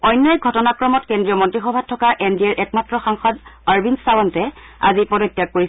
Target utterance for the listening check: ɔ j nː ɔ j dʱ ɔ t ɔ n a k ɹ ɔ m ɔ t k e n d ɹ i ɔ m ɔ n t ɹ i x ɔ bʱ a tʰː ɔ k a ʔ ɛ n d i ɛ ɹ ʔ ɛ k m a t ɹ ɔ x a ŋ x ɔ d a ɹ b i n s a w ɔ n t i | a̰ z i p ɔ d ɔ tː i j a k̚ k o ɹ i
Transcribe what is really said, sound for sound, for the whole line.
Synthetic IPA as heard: ɔ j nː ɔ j ɡʱ ɔ t ɔ n a k ɹ ɔ m ɔ t k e n d ɹ i ɔ m ɔ n t ɹ i x ɔ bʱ a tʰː ɔ k a ʔ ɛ n d i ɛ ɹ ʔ ɛ k m a t ɹ ɔ x a ŋ x ɔ d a ɹ b i n s a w ɔ n t ɛ | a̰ z i p ɔ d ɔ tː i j a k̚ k o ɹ i